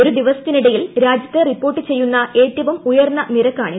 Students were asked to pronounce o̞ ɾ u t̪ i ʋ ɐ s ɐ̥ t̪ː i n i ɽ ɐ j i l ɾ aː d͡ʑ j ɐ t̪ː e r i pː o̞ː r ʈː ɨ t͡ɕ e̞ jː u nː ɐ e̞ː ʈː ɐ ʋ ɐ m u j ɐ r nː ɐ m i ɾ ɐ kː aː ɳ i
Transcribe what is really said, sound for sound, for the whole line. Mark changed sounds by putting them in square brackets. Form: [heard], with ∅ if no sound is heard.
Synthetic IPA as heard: o̞ ɾ u [d̪] i ʋ ɐ s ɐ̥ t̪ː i n i ɽ ɐ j i l ɾ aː d͡ʑ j ɐ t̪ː e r i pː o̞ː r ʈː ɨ t͡ɕ e̞ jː u nː ɐ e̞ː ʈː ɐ ʋ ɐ m u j ɐ r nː ɐ [n] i ɾ ɐ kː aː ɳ i